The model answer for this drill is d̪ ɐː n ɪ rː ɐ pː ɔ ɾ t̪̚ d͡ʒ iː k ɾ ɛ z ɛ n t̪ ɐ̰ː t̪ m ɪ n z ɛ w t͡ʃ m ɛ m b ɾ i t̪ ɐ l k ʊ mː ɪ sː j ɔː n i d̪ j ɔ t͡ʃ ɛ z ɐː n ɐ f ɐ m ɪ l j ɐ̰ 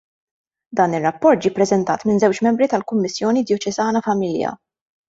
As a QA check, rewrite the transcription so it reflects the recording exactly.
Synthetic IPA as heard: d̪ ɐː n ɪ rː ɐ pː ɔ ɾ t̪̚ d͡ʒ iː p ɾ ɛ z ɛ n t̪ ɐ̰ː t̪ m ɪ n z ɛ w t͡ʃ m ɛ m b ɾ i t̪ ɐ l k ʊ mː ɪ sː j ɔː n i d̪ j ɔ t͡ʃ ɛ z ɐː n ɐ f ɐ m ɪ l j ɐ̰